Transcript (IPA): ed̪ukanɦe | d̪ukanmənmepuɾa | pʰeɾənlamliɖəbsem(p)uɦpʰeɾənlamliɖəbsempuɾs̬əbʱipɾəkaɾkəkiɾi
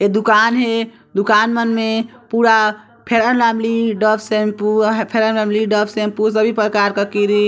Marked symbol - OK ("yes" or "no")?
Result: yes